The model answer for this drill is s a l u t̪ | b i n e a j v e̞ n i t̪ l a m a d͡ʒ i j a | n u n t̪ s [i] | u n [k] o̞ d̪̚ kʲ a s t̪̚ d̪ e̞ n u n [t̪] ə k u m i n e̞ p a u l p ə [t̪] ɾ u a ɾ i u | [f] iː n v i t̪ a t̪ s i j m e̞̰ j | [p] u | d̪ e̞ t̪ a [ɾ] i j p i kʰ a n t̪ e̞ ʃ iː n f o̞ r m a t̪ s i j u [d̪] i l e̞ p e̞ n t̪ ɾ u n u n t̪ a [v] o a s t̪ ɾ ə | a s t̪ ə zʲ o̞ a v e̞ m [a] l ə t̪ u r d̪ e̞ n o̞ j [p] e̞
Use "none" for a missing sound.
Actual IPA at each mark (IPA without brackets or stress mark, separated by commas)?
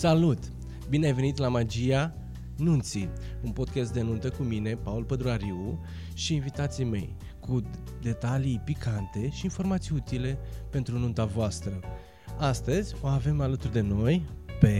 i, p, t̪, d̪, ʃ, k, l, t̪, v, a, p